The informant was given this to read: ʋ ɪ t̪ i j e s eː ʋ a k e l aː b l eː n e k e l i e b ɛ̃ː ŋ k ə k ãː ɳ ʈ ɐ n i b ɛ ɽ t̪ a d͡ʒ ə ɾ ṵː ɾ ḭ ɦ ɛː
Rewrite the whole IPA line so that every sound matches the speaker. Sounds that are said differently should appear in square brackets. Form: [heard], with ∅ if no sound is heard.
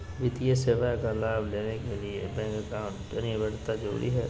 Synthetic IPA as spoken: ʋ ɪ t̪ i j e s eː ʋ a k [a] l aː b l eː n e k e l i e b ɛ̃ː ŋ k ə k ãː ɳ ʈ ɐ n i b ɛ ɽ t̪ a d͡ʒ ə ɾ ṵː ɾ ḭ ɦ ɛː